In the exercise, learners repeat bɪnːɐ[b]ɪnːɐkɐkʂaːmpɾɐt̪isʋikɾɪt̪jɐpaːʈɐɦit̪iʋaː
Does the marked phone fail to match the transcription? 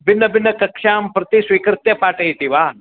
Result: no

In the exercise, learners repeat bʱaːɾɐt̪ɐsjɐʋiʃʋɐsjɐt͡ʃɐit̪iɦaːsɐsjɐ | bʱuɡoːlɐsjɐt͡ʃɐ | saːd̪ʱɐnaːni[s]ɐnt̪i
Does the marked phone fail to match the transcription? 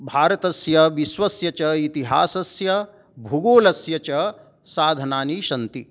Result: yes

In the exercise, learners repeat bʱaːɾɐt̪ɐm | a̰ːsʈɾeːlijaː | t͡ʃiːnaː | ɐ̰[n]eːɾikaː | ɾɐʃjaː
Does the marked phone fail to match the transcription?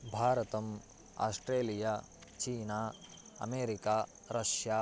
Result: yes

